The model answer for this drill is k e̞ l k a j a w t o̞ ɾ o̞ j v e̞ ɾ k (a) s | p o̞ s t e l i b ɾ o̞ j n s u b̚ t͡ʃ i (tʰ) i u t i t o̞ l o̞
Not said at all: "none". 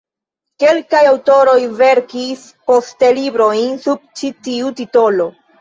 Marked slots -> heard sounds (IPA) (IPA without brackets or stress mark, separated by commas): i, t